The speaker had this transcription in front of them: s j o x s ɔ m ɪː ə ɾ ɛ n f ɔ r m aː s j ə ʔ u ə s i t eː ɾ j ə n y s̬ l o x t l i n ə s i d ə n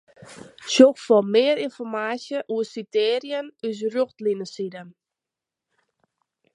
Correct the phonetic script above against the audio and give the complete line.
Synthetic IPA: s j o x f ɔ m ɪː ə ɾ i n f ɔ r m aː s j ə ʔ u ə s i t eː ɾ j ə n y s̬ r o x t l i n ə s i d ə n

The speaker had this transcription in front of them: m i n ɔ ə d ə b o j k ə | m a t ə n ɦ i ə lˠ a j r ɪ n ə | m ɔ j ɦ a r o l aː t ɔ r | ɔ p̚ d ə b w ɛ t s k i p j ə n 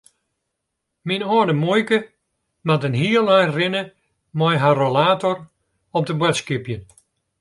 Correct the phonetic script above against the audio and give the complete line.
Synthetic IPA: m i n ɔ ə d ə m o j k ə | m a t ə n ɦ i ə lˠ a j r ɪ n ə | m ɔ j ɦ a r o l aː t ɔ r | ɔ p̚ d ə b w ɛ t s k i p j ə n

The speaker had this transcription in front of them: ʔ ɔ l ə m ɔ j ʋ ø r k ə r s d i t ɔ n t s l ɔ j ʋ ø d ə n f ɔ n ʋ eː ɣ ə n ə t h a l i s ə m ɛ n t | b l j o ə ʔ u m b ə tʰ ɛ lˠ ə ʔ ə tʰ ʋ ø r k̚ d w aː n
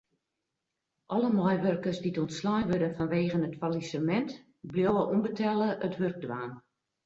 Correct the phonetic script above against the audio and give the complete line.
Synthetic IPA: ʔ ɔ l ə m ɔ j ʋ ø r k ə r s d i t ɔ n t s l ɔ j ʋ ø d ə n f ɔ n ʋ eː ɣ ə n ə t f a l i s ə m ɛ n t | b l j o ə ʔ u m b ə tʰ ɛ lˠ ə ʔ ə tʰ ʋ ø r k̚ d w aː n

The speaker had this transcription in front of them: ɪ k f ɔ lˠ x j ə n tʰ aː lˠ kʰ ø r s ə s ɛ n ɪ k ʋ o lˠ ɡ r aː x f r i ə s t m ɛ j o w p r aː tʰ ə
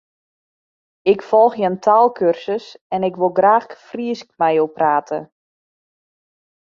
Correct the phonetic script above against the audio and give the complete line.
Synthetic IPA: ɪ k f ɔ lˠ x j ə n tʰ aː lˠ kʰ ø r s ə s ɛ n ɪ k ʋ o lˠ ɡ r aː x f r i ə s k m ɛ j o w p r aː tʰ ə

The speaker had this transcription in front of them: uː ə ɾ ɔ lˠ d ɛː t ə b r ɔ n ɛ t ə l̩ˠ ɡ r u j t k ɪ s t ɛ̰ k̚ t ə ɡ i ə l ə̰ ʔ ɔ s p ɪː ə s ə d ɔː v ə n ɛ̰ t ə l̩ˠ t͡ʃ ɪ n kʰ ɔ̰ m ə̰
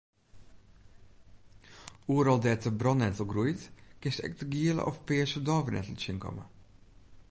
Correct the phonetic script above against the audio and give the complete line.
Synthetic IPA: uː ə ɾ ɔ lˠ d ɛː t ə b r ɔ n ɛ t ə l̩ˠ ɡ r u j t k ɪ s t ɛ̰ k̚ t ə ɡ i ə l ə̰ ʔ ɔ f p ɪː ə s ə d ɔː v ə n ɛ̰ t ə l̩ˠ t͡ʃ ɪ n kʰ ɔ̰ m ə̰

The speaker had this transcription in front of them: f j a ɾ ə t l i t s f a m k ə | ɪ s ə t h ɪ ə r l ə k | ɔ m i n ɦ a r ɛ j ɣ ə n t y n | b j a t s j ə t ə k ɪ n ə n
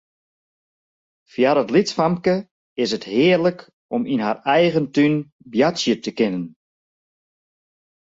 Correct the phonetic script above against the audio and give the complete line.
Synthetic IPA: f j a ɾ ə t l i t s f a m k ə | ɪ s ə t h ɪ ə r l ə k | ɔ m i n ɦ a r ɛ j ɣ ə n t y n | b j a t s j ə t ə k ɪ n ə n

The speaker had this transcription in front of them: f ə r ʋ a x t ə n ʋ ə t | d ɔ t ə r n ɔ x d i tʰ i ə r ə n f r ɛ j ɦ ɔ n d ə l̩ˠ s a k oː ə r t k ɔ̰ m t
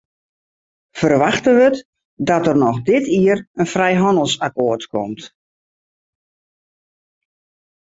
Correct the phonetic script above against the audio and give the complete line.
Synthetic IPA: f ə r ʋ a x t ə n ʋ ə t | d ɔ t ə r n ɔ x d ɪ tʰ i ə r ə n f r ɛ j ɦ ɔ n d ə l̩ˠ s a k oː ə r t k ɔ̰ m t

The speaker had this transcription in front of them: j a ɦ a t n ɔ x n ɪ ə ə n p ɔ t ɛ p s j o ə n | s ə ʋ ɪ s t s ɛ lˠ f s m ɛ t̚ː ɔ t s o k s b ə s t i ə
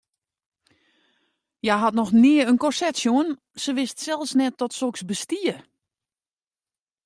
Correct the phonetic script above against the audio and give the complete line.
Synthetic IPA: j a ɦ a t n ɔ x n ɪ ə ə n k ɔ s ɛ t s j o ə n | s ə ʋ ɪ s t s ɛ lˠ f s n ɛ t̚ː ɔ t s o k s b ə s t i ə

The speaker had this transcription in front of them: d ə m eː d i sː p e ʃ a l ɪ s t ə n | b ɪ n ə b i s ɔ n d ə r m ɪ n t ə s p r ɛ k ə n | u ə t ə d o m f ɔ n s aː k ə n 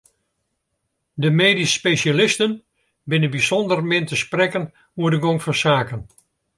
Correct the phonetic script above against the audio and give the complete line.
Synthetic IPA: d ə m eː d i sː p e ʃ a l ɪ s t ə n | b ɪ n ə b i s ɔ n d ə r m ɪ n t ə s p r ɛ k ə n | u ə d ə ɡ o ŋ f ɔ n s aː k ə n

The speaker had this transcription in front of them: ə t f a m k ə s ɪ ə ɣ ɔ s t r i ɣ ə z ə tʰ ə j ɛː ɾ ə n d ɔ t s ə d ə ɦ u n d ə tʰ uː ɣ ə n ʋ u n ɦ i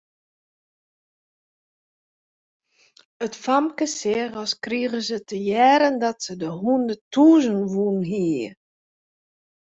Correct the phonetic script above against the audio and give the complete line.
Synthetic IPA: ə t f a m k ə s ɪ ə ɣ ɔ s k r i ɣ ə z ə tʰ ə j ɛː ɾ ə n d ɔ t s ə d ə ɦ u n d ə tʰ uː z ə n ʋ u n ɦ i

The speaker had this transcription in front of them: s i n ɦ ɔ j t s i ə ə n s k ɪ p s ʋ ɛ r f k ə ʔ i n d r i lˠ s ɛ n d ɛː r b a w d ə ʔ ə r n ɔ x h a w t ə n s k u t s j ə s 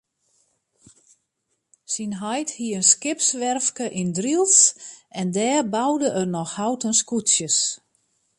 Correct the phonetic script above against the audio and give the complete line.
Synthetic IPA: s i n ɦ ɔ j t h i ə ə n s k ɪ p s ʋ ɛ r f k ə ʔ i n d r i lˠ s ɛ n d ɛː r b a w d ə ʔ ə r n ɔ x h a w t ə n s k u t s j ə s

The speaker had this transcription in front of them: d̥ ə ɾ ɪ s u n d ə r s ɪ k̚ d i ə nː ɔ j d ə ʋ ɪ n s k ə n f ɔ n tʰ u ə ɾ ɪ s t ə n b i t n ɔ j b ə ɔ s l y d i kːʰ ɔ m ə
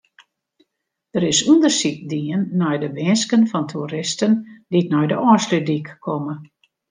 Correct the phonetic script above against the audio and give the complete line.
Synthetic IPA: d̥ ə ɾ ɪ s u n d ə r s i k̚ d i ə nː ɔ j d ə ʋ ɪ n s k ə n f ɔ n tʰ u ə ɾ ɪ s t ə n d i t n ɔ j d ə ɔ s l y d i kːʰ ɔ m ə

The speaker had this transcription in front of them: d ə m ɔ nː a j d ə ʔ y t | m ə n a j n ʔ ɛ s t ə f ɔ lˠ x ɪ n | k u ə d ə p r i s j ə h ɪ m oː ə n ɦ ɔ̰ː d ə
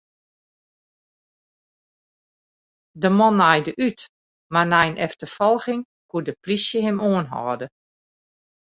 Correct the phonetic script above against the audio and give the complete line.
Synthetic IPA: d ə m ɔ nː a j d ə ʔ y t | m a n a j n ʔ ɛ f t ə f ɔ lˠ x ɪ ŋ | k u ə d ə p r i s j ə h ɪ m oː ə n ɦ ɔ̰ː d ə

